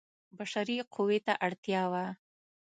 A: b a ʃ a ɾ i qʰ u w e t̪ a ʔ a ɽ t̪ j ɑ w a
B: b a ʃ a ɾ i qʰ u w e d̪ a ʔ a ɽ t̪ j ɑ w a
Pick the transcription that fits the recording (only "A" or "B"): A